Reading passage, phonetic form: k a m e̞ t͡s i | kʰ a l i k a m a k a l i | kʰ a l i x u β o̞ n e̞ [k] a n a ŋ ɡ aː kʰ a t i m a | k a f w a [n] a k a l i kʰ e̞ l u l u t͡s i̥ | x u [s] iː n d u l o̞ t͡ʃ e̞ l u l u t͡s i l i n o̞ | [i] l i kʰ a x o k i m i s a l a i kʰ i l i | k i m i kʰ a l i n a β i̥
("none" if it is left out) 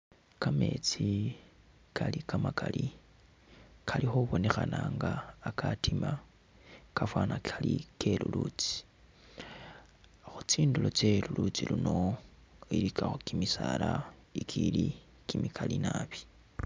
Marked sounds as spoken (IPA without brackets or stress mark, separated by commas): x, n, t͡s, i